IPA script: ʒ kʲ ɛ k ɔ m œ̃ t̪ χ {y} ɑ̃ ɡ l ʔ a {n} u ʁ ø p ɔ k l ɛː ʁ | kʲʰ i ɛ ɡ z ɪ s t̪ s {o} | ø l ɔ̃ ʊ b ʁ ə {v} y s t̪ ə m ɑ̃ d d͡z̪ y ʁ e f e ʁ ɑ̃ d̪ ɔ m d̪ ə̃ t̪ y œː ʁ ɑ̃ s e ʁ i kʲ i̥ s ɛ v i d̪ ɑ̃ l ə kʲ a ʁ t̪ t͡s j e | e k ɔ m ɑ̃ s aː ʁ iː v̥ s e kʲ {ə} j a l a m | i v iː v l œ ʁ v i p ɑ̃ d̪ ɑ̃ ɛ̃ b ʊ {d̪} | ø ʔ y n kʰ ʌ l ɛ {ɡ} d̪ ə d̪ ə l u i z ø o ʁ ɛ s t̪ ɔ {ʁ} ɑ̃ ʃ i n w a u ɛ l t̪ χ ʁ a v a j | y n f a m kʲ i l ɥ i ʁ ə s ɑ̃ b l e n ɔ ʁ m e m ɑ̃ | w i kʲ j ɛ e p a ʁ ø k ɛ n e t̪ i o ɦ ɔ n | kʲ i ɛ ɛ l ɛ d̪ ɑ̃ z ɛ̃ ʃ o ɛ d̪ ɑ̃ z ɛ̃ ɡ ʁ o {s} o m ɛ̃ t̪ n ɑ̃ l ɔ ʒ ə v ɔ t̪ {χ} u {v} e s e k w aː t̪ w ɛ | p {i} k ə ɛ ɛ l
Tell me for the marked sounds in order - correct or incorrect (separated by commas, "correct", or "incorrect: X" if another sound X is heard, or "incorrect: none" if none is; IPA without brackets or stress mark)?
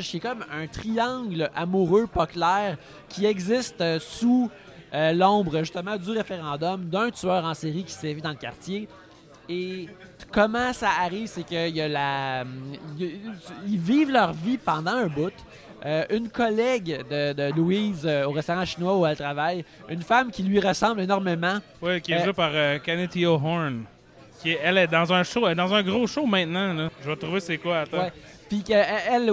incorrect: i, incorrect: m, incorrect: u, incorrect: ʒ, correct, incorrect: t̪, correct, correct, incorrect: ʃ, incorrect: ʁ, correct, correct